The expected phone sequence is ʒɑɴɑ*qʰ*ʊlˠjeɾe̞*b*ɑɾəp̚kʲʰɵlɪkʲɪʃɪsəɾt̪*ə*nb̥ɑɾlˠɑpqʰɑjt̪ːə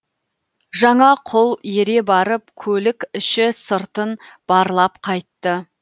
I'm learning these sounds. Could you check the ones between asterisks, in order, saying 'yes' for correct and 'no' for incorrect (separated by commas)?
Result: yes, yes, yes